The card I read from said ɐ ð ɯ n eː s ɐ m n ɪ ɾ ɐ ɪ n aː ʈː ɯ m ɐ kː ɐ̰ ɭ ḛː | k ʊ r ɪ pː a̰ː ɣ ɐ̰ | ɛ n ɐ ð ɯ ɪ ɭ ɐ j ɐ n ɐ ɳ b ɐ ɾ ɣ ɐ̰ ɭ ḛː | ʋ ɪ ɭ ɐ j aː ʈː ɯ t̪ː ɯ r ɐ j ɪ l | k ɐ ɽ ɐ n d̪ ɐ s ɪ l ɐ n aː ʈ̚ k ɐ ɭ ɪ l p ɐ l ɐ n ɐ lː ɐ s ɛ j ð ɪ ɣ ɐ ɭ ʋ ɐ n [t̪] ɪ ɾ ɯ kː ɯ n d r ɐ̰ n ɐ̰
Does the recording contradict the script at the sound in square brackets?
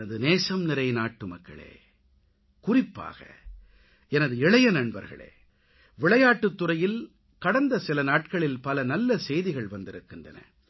yes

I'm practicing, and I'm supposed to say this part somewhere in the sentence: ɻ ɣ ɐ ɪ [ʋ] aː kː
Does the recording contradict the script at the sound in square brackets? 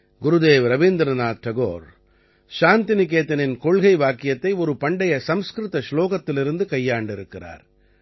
no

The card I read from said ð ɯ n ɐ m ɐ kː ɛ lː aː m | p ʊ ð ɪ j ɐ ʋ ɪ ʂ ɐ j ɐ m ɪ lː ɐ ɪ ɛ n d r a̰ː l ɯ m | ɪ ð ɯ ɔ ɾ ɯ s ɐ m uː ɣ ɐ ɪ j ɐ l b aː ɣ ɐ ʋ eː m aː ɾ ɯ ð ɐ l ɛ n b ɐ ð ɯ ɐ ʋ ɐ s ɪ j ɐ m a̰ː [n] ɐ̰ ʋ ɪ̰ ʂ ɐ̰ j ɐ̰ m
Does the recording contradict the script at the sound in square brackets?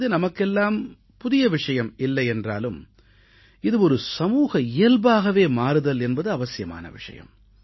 no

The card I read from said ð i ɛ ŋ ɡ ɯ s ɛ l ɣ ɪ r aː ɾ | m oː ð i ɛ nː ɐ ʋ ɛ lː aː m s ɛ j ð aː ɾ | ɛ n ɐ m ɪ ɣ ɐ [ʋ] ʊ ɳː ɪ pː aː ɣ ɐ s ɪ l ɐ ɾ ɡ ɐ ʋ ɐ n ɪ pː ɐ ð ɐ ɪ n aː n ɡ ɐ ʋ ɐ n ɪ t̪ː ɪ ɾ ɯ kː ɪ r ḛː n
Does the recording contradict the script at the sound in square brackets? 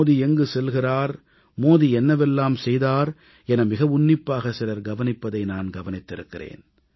no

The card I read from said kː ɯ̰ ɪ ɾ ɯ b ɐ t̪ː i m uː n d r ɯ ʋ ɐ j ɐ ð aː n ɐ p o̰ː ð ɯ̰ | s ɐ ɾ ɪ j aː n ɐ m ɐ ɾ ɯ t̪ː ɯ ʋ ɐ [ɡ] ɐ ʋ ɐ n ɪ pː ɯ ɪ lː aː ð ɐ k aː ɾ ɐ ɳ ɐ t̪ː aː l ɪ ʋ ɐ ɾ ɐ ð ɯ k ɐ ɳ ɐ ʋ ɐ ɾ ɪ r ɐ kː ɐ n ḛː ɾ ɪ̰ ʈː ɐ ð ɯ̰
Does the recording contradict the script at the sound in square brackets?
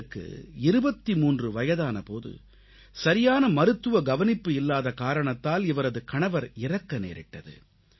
no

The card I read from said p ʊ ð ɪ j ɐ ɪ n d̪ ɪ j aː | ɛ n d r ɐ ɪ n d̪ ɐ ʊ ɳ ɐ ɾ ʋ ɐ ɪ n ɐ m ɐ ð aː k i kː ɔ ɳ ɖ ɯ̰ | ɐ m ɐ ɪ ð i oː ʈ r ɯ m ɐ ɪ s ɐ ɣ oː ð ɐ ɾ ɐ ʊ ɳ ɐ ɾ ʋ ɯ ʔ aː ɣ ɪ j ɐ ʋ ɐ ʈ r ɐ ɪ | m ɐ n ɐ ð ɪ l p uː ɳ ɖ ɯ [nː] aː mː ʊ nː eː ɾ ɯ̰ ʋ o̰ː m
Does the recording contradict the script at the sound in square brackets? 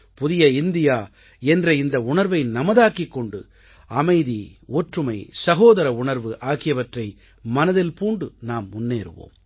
yes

